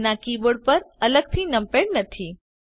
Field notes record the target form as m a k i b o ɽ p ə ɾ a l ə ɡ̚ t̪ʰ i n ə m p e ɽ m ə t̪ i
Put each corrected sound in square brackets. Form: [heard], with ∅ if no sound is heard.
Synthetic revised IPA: [n] a k i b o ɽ p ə ɾ [ə] l ə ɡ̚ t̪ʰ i n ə m p e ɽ [n] ə [t̪ʰ] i